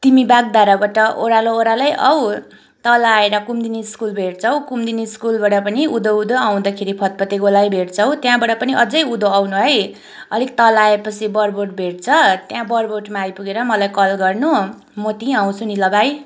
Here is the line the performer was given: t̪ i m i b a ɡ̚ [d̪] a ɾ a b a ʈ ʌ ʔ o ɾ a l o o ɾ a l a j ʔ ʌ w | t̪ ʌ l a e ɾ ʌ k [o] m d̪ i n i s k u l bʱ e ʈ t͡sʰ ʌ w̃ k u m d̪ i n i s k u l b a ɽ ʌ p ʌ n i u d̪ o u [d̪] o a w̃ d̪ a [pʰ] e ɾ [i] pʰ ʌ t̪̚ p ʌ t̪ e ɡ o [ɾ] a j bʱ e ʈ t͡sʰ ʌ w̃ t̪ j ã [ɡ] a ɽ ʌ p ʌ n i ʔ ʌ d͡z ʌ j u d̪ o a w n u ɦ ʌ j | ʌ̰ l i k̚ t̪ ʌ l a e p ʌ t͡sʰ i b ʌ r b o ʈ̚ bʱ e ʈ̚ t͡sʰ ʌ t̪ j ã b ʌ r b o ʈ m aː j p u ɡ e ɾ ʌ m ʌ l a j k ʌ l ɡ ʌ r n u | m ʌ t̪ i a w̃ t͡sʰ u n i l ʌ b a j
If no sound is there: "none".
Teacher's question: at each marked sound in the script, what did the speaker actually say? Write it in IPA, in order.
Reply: d̪, u, d̪, kʰ, i, l, b

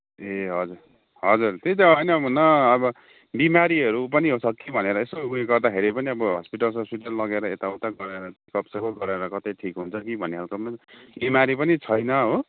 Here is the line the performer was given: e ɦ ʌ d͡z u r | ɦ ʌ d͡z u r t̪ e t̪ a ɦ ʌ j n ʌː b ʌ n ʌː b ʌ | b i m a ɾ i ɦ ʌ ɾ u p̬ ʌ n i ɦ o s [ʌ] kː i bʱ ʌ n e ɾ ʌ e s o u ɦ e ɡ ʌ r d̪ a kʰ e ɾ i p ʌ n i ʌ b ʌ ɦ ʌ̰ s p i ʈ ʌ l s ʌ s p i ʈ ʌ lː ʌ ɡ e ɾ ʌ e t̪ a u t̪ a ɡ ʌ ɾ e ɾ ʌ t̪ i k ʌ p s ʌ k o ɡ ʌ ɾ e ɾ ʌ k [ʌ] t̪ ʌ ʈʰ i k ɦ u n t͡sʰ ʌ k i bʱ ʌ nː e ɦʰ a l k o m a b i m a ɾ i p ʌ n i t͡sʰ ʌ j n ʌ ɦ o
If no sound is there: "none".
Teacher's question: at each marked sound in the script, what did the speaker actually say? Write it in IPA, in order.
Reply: ʌ, ʌ

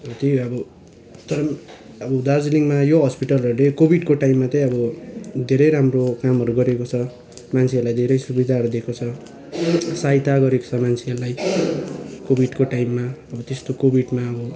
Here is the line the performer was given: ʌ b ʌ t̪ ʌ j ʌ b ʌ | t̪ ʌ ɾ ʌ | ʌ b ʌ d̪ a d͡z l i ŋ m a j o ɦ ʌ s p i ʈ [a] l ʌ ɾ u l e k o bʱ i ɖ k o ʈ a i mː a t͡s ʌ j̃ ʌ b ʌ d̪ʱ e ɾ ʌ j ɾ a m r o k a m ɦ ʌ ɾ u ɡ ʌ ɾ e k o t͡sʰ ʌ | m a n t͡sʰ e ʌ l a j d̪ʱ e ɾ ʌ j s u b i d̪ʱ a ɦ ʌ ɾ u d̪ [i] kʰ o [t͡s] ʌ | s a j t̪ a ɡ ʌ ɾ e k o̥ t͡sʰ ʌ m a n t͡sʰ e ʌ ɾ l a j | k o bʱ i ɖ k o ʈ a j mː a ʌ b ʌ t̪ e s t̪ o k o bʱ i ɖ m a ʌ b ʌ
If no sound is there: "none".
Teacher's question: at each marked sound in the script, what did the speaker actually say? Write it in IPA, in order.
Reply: ʌ, e, t͡sʰ

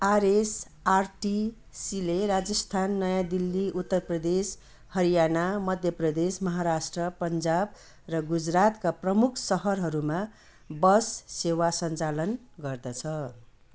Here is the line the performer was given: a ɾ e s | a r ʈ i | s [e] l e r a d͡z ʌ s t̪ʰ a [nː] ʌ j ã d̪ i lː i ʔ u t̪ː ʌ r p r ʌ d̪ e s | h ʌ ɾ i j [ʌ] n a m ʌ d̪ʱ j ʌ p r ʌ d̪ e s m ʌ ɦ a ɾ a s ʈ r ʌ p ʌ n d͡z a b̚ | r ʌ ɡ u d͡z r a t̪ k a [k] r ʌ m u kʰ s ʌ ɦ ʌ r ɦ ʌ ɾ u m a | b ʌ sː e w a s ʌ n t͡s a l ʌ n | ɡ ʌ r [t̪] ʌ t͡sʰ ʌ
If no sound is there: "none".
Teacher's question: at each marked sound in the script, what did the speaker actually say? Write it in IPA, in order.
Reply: i, nː, a, p, d̪

